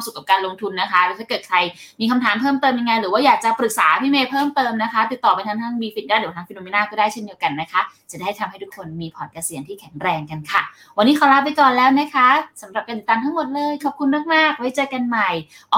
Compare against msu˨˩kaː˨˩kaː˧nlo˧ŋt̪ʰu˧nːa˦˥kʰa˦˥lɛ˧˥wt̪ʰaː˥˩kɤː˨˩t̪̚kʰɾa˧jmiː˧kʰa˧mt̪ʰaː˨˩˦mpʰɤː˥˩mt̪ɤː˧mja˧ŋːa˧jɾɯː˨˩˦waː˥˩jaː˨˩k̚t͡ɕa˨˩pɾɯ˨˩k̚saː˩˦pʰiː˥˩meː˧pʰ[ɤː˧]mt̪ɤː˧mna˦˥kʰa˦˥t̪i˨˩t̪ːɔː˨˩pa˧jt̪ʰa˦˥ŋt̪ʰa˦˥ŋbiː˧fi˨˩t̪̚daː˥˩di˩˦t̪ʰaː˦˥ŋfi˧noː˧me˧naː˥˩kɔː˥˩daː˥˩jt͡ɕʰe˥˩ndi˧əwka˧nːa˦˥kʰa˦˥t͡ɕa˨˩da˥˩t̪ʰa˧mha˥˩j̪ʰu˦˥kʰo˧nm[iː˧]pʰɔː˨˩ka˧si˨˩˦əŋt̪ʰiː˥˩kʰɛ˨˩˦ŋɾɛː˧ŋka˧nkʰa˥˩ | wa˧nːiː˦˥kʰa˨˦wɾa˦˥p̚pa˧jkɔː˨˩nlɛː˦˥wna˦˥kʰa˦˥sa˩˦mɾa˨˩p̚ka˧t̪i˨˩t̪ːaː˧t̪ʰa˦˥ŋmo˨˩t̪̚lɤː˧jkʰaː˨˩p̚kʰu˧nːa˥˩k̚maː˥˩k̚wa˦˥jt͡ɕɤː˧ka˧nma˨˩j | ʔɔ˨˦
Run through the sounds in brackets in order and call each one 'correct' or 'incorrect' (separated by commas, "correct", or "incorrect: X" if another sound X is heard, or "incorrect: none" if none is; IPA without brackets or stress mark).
incorrect: ɤː˥˩, correct